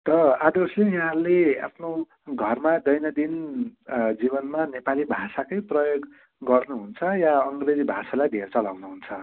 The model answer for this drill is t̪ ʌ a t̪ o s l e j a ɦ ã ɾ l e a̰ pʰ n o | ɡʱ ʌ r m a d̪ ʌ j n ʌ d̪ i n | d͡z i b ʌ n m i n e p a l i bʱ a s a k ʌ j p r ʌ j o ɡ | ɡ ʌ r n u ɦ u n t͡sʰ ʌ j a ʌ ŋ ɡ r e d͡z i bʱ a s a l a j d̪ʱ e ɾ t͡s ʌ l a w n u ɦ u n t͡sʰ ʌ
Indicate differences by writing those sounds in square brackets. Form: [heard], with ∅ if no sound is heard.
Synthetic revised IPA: t̪ ʌ a [d̪] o s l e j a ɦ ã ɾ l e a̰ pʰ n o | ɡʱ ʌ r m a d̪ ʌ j n ʌ d̪ i n | d͡z i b ʌ n m [a] n e p a l i bʱ a s a k ʌ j p r ʌ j o ɡ | ɡ ʌ r n u ɦ u n t͡sʰ ʌ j a ʌ ŋ ɡ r e d͡z i bʱ a s a l a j d̪ʱ e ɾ t͡s ʌ l a w n u ɦ u n t͡sʰ ʌ